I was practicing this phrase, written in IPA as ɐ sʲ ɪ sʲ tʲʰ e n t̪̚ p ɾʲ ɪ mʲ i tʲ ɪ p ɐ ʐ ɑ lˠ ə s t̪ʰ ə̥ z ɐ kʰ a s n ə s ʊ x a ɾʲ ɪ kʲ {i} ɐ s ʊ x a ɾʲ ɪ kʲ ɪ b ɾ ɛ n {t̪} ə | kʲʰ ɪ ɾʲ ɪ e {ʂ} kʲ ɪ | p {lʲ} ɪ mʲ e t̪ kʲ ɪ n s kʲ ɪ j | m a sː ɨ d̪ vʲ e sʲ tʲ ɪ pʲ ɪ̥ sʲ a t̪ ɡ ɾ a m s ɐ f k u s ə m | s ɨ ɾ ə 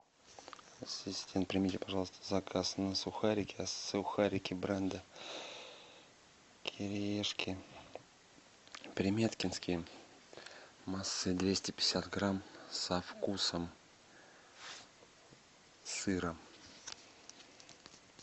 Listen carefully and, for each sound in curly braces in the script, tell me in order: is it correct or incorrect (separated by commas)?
incorrect, incorrect, correct, incorrect